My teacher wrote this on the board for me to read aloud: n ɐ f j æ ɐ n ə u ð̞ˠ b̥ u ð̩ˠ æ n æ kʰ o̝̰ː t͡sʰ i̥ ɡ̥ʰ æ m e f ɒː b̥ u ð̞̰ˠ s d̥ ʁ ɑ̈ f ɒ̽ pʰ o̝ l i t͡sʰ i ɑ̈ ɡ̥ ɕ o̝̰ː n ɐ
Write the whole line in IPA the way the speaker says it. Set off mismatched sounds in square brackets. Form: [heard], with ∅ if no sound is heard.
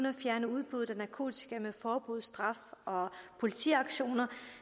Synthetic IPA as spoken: n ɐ f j æ ɐ n ə u ð̞ˠ b̥ u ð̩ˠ æ n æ kʰ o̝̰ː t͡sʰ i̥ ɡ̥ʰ æ m e f ɒː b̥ u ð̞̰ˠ s d̥ ʁ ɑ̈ f ɒ̽ pʰ o̝ l i t͡sʰ i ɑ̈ ɡ̥ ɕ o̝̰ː n ɐ